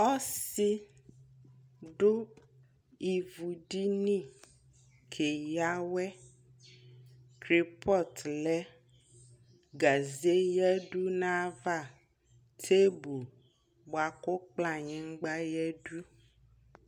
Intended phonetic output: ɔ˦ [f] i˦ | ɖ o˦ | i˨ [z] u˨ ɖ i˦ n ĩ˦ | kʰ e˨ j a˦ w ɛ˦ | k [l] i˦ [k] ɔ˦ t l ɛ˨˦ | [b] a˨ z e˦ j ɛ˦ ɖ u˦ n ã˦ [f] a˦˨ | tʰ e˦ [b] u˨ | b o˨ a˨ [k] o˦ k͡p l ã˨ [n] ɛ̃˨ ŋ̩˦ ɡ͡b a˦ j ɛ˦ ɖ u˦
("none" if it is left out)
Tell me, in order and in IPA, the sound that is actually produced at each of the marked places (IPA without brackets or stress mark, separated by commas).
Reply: s, v, ɾ, p, ɡ, v, b, k, ɲ